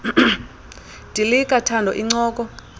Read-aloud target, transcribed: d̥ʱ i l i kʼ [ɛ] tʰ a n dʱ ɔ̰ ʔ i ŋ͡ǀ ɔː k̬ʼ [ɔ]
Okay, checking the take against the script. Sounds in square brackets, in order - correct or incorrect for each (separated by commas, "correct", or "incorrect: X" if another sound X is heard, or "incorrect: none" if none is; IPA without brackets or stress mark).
incorrect: a, correct